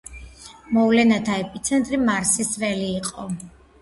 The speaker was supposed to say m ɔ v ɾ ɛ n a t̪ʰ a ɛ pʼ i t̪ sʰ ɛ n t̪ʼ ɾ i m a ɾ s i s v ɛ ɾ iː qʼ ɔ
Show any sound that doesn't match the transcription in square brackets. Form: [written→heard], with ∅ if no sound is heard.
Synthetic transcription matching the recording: m ɔ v [ɾ→l] ɛ n a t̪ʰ a ɛ pʼ i t̪ sʰ ɛ n t̪ʼ ɾ i m a ɾ s i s v ɛ [ɾ→l] iː qʼ ɔ